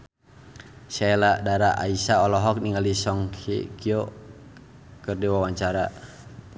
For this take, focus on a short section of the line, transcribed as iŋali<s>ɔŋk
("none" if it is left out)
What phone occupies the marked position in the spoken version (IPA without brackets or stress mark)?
s